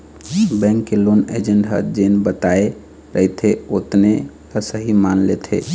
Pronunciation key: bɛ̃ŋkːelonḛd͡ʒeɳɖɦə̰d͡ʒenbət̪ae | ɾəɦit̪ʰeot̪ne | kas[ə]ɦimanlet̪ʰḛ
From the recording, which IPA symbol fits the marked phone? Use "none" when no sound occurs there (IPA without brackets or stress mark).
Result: ə